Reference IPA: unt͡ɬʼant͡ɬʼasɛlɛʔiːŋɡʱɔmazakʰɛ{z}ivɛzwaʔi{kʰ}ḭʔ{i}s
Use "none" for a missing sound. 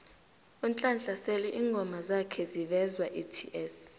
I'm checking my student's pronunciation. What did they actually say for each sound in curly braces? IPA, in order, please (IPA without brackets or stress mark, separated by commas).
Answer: z, tʰ, ɛ